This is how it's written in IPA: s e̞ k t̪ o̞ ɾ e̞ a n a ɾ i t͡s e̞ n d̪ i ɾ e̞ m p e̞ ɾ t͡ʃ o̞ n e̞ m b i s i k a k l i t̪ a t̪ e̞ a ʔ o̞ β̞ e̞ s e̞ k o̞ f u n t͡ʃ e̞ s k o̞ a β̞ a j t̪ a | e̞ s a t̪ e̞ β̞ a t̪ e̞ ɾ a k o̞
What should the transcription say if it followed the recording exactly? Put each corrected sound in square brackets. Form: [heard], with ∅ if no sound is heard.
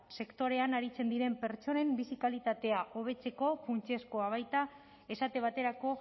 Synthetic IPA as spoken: s e̞ k t̪ o̞ ɾ e̞ a n a ɾ i t͡s e̞ n d̪ i ɾ e̞ m p e̞ ɾ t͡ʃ o̞ n e̞ m b i s i k a [∅] l i t̪ a t̪ e̞ a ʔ o̞ β̞ e̞ [t͡s] e̞ k o̞ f u n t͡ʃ e̞ s k o̞ a β̞ a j t̪ a | e̞ s a t̪ e̞ β̞ a t̪ e̞ ɾ a k o̞

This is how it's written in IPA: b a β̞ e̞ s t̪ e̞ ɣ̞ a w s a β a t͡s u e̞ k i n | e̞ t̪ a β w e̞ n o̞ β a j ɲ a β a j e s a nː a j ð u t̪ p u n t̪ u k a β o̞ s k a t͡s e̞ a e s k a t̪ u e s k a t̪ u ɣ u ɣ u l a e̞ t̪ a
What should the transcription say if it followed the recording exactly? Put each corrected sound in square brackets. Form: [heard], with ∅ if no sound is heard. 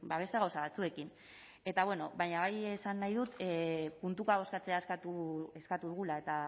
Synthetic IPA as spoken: b a β̞ e̞ s t̪ e̞ ɣ̞ a w s a β a t͡s u e̞ k i n | e̞ t̪ a β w e̞ n o̞ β a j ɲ a β a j e s a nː a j ð u t̪ p u n t̪ u k a β o̞ s k a t͡s e̞ a e s k a t̪ u e s k a t̪ u [ð] u ɣ u l a e̞ t̪ a

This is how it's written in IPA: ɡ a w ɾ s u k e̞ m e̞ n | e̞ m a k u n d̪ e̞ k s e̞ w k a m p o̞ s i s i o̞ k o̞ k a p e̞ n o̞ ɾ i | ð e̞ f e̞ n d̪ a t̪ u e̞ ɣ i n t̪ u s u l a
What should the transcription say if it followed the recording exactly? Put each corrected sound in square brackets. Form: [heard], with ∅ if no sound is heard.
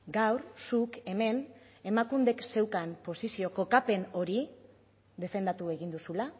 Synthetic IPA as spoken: ɡ a w ɾ s u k e̞ m e̞ n | e̞ m a k u n d̪ e̞ k s e̞ w k a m p o̞ s i s i o̞ k o̞ k a p e̞ n o̞ ɾ i | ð e̞ f e̞ n d̪ a t̪ u e̞ ɣ i n [d̪] u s u l a

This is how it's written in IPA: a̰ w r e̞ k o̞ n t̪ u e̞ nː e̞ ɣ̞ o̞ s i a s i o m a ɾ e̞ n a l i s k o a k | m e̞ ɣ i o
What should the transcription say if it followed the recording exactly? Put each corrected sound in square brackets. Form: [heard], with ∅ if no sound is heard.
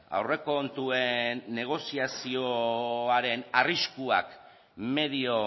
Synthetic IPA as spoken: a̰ w r e̞ k o̞ n t̪ u e̞ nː e̞ ɣ̞ o̞ s i a s i o [∅] a ɾ e̞ n a [r] i s k [u] a k | m e̞ [ð] i o

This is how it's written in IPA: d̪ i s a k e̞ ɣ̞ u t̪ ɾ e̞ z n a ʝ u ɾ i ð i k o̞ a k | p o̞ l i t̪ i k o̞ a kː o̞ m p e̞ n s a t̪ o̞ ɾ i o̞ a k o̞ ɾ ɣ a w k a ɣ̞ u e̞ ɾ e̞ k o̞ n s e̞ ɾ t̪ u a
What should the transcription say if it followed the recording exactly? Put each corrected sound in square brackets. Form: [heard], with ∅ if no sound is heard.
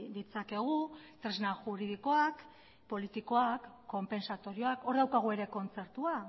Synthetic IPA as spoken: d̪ i [t͡s] a k e̞ ɣ̞ u t̪ ɾ e̞ z n a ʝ u ɾ i ð i k o̞ a k | p o̞ l i t̪ i k o̞ a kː o̞ m p e̞ n s a t̪ o̞ ɾ i o̞ a k o̞ ɾ [ð] a w k a ɣ̞ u e̞ ɾ e̞ k o̞ n [t͡s] e̞ ɾ t̪ u a

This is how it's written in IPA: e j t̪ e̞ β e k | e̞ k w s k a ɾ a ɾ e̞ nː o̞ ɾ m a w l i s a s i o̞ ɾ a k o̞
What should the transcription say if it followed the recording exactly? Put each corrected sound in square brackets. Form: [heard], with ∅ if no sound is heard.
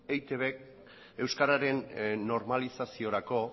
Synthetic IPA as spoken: e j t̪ e̞ β e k | e̞ [∅] w s k a ɾ a ɾ e̞ nː o̞ ɾ m a [∅] l i s a s i o̞ ɾ a k o̞

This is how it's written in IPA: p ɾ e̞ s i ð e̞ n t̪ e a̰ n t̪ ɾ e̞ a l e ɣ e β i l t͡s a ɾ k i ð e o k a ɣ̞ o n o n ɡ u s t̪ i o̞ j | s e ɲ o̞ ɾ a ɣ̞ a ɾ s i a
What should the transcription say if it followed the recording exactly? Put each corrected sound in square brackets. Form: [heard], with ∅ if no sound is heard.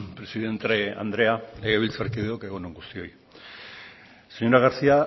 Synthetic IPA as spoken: p ɾ e̞ s i ð e̞ n t̪ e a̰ n [d̪] ɾ e̞ a l e ɣ e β i l t͡s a ɾ k i ð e o k [e] ɣ̞ o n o [ŋ] ɡ u s t̪ i o̞ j | s e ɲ o̞ ɾ a ɣ̞ a ɾ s i a

